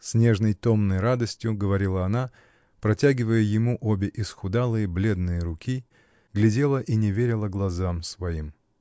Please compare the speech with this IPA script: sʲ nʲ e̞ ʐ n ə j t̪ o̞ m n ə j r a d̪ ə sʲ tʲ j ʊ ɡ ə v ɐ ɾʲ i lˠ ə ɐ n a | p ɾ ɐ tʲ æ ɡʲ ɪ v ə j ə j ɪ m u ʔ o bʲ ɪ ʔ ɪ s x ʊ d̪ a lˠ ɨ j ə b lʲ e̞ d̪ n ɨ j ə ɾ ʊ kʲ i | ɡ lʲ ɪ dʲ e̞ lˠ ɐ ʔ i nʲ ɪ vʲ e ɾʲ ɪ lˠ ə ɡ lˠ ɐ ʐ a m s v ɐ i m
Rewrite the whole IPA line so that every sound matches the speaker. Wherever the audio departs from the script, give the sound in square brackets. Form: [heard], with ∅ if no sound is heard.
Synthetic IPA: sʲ nʲ e̞ ʐ n ə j t̪ o̞ m n ə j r a d̪ ə sʲ tʲ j ʊ ɡ ə v ɐ ɾʲ i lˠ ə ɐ n a | p ɾ ɐ tʲ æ ɡʲ ɪ v ə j ə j ɪ m u ʔ o bʲ ɪ ʔ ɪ s x ʊ d̪ a lˠ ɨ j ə b lʲ e̞ d̪ n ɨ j ə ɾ ʊ kʲ i | ɡ lʲ ɪ dʲ e̞ lˠ [ə] ʔ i nʲ ɪ vʲ e ɾʲ ɪ lˠ ə ɡ lˠ ɐ [z] a m s v ɐ i m